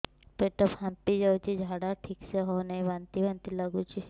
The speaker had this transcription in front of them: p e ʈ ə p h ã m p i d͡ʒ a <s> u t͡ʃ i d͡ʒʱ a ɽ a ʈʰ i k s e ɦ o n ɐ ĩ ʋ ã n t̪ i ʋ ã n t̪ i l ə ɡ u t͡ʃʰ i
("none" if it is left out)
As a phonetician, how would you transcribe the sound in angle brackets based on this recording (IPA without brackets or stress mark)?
none